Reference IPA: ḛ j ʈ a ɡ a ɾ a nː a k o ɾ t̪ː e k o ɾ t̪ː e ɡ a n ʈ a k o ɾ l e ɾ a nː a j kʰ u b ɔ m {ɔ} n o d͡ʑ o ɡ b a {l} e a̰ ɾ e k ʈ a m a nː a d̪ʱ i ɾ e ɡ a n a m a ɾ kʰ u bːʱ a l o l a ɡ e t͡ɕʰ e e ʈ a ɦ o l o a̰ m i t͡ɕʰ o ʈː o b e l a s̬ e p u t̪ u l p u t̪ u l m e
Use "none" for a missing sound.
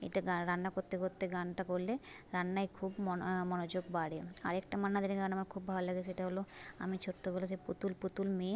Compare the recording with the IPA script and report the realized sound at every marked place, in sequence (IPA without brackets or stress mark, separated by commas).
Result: ɔ, ɽ